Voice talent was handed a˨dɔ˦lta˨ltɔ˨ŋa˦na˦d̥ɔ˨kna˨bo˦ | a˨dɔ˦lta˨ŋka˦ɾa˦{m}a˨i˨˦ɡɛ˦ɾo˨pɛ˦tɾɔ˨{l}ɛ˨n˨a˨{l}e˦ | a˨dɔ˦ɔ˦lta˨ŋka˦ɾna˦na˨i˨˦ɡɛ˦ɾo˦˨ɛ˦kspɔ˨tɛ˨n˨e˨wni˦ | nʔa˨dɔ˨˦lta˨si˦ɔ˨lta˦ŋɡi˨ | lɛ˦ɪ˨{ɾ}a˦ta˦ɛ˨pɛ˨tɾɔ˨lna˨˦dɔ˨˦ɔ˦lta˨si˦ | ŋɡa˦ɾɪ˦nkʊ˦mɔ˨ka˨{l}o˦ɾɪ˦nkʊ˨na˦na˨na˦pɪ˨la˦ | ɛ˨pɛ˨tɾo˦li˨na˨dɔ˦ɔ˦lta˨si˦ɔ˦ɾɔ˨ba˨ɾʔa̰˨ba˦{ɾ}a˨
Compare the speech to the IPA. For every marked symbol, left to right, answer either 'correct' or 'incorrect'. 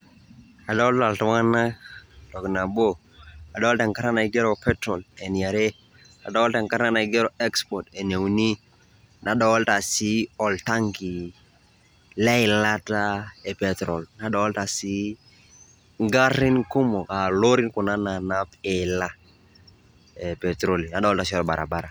incorrect, correct, incorrect, incorrect, correct, correct

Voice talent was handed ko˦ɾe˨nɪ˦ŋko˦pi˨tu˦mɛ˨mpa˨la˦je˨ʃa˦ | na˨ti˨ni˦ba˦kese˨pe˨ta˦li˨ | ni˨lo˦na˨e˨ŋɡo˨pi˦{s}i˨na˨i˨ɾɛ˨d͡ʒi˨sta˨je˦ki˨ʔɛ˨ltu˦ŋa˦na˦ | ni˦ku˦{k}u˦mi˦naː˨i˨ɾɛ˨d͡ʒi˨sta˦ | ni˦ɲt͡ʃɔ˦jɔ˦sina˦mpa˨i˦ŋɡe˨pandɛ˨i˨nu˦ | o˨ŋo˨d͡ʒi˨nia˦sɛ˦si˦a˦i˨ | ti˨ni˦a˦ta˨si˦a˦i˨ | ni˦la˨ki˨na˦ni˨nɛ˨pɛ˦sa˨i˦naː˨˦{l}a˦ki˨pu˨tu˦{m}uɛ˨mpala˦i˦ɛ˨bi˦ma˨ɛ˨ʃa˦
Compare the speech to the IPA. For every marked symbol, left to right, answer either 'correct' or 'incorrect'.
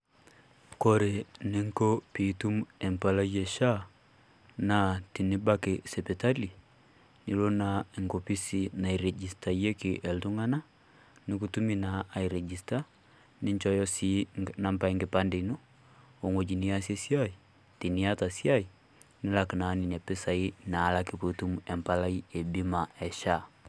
correct, incorrect, correct, correct

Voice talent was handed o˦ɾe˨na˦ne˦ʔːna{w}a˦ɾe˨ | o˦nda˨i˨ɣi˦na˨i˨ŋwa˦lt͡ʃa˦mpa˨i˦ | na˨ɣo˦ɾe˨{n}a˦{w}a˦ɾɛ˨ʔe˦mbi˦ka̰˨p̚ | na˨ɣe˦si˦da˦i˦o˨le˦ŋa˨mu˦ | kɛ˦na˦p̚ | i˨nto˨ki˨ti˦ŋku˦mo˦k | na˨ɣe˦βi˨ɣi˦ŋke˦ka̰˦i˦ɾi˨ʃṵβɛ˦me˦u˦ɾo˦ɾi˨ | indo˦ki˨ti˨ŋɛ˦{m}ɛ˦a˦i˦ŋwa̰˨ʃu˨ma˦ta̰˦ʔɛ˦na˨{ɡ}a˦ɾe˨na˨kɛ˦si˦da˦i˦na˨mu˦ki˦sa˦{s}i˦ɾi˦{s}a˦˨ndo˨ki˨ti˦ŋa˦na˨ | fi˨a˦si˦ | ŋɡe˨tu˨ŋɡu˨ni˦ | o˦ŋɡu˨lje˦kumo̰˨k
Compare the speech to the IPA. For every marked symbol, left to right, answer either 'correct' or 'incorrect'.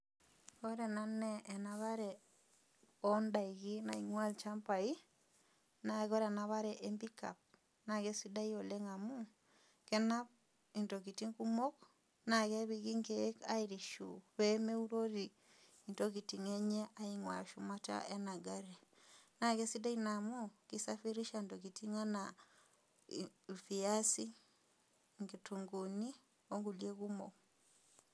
incorrect, correct, incorrect, incorrect, correct, incorrect, incorrect

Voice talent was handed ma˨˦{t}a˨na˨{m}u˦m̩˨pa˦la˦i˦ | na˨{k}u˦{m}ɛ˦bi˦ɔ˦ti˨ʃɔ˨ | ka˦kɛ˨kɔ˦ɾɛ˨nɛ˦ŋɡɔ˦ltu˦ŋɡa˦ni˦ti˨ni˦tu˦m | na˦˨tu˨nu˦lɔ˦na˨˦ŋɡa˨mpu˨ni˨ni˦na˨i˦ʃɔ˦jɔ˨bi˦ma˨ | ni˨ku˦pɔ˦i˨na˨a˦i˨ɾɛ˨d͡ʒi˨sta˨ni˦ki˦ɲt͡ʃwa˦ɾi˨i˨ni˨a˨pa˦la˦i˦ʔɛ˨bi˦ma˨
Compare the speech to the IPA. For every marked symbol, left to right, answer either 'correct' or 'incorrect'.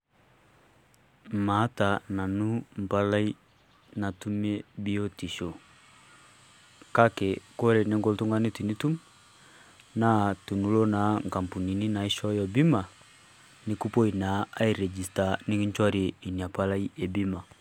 correct, incorrect, incorrect, correct

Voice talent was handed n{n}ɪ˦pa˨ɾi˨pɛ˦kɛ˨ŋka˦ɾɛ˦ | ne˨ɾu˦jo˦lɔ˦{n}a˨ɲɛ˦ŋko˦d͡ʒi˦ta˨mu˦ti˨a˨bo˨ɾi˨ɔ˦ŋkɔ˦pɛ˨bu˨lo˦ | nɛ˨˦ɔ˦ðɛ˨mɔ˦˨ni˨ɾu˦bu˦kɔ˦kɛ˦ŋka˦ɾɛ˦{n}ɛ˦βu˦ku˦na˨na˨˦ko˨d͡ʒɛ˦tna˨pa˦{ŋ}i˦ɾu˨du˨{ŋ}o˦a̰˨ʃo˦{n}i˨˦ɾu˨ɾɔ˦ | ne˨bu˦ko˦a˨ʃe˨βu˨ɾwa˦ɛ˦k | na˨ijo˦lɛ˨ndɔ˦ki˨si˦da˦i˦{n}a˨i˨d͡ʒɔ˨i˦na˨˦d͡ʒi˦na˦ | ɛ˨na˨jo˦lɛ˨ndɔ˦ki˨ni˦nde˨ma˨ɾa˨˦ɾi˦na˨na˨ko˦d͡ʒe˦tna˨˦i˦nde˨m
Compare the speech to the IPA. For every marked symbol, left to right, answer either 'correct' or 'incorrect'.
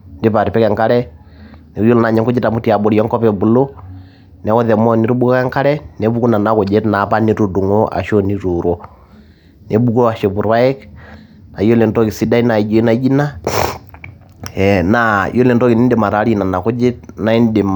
incorrect, correct, correct, incorrect, correct, correct, correct

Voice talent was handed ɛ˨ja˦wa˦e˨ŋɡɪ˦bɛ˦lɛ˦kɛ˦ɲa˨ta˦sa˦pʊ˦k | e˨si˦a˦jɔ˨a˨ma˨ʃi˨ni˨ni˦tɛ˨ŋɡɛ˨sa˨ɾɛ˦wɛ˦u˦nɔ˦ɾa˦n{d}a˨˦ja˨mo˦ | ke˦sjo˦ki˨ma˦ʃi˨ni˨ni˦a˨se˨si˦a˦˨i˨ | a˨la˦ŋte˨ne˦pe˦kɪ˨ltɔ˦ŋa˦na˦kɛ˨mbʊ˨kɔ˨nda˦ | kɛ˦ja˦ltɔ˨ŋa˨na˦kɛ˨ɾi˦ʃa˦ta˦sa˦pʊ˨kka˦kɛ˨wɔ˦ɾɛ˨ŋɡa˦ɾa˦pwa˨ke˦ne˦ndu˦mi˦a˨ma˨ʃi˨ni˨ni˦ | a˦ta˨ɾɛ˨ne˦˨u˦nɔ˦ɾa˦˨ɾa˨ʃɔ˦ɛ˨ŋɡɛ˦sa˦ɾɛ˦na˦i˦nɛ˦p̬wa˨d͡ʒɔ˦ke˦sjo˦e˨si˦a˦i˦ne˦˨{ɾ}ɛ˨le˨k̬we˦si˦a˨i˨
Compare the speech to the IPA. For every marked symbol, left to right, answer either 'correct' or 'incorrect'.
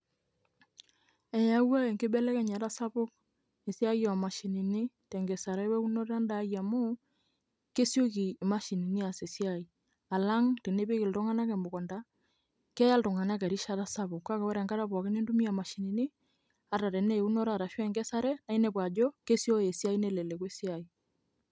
correct, incorrect

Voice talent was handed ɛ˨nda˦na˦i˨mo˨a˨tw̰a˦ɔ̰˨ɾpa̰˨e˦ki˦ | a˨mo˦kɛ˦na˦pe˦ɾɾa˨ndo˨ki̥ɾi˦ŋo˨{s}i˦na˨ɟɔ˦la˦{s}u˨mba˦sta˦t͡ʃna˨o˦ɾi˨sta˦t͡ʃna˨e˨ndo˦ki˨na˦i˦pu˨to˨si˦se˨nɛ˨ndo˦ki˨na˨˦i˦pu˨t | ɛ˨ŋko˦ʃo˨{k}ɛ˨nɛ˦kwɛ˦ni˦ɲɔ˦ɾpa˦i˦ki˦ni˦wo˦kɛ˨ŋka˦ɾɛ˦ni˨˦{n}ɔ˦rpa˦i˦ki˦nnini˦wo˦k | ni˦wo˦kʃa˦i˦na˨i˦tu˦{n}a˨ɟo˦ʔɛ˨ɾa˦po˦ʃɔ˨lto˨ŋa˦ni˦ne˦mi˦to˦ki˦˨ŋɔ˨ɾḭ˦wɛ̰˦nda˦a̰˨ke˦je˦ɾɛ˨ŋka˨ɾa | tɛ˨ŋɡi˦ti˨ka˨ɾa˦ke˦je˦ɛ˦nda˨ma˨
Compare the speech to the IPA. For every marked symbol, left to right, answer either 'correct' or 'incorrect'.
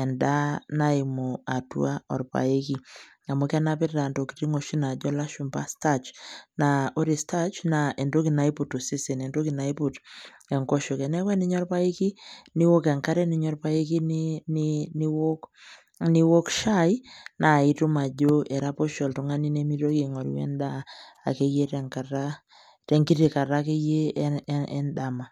incorrect, incorrect, correct, incorrect, incorrect

